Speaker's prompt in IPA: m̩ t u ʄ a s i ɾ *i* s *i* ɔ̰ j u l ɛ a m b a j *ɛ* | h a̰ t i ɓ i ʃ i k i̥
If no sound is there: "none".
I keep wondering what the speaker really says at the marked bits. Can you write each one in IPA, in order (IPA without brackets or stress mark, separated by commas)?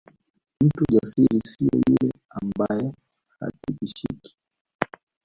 i, i, ɛ